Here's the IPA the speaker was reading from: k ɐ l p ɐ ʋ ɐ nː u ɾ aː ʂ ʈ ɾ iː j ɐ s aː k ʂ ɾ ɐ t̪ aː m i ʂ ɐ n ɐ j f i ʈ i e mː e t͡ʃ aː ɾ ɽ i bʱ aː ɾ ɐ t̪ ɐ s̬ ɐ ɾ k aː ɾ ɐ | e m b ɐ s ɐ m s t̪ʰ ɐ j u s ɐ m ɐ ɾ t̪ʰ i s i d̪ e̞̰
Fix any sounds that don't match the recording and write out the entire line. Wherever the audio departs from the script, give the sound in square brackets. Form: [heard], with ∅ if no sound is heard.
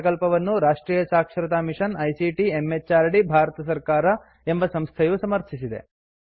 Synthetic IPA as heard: k ɐ l p ɐ ʋ ɐ nː u ɾ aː ʂ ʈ ɾ iː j ɐ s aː k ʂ ɾ ɐ t̪ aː m i ʂ ɐ n ɐ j [s] i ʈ i e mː e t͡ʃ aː ɾ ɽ i bʱ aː ɾ ɐ t̪ ɐ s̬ ɐ ɾ k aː ɾ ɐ | e m b ɐ s ɐ m s t̪ʰ ɐ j u s ɐ m ɐ ɾ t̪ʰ i s i d̪ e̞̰